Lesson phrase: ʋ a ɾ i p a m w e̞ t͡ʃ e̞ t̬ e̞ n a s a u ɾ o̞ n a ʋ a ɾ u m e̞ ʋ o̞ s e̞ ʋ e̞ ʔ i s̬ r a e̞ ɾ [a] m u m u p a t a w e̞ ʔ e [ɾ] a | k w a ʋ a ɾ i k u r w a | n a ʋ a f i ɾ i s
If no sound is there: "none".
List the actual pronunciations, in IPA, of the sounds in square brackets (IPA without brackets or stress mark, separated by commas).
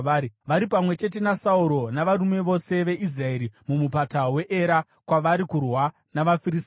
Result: i, ɾ